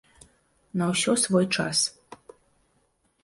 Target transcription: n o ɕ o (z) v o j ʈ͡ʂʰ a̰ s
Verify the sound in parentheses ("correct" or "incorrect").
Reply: incorrect